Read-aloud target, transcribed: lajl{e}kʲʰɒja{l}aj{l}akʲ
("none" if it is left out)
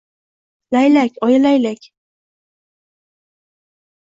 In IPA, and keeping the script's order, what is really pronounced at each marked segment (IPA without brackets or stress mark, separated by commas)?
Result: a, l, l